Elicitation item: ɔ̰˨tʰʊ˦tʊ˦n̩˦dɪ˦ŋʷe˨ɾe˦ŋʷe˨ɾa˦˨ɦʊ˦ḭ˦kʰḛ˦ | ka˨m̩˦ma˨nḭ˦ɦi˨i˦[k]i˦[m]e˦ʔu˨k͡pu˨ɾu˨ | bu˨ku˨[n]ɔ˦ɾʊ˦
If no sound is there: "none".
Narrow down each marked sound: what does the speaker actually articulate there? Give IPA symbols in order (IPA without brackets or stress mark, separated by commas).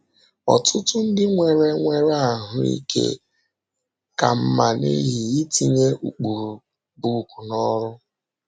t, ɲ, n